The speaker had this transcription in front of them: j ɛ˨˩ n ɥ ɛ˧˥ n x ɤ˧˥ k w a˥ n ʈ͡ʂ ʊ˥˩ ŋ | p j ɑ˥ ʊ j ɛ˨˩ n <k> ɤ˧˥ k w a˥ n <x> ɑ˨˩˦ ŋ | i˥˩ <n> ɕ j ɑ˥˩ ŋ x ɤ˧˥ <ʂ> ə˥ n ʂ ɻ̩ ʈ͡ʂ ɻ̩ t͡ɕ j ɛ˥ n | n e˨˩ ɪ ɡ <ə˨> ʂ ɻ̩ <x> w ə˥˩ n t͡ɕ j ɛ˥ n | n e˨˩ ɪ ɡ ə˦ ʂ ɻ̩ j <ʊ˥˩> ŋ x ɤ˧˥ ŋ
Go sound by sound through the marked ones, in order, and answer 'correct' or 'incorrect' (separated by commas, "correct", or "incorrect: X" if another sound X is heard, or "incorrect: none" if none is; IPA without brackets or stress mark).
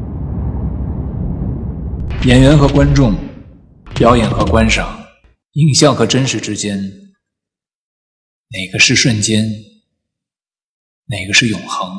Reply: incorrect: x, incorrect: ʂ, incorrect: ŋ, incorrect: ʈ͡ʂ, incorrect: ə˦, incorrect: ʂ, incorrect: ʊ˨˩